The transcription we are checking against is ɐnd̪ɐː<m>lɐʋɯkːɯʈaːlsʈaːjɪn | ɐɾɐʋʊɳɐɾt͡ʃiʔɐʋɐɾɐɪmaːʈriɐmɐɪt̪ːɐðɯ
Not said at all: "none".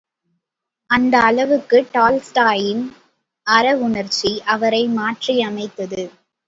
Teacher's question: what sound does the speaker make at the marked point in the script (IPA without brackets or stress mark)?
none